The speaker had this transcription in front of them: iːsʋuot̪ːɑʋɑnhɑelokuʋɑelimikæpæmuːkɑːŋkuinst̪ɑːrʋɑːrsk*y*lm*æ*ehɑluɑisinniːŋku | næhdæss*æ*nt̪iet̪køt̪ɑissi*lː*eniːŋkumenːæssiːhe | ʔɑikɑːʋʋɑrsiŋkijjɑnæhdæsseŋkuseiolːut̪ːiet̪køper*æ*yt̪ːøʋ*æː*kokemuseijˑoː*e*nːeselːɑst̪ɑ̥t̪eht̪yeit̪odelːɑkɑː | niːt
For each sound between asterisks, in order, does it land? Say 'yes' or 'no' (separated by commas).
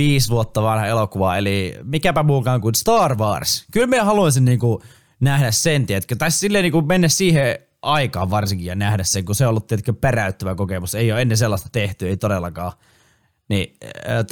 yes, no, no, yes, yes, no, yes